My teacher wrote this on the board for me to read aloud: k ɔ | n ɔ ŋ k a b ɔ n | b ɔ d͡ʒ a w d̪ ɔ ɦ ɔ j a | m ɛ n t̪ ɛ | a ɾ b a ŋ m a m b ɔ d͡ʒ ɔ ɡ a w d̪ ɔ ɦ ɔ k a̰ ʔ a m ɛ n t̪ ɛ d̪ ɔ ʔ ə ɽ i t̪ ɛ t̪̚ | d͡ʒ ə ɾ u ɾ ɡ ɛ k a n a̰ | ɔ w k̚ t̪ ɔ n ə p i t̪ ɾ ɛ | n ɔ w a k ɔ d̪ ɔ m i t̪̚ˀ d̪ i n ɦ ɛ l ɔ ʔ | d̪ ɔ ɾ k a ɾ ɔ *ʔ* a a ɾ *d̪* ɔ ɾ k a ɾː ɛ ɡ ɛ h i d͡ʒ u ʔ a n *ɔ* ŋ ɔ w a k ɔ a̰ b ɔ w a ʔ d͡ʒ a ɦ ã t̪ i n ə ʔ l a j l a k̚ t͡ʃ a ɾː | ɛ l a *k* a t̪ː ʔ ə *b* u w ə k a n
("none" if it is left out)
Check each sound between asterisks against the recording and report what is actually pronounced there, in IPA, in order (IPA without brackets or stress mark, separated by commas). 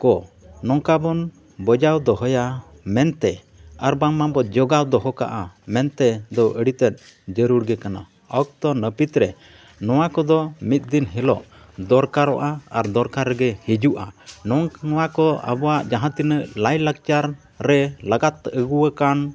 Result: ʔ, d̪, ɔ, ɡ, ɡ